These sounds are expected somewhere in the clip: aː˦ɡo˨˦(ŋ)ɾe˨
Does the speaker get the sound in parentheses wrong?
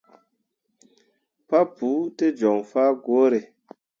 yes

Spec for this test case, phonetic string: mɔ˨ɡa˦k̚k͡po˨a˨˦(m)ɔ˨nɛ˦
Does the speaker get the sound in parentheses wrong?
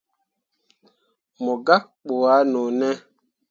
yes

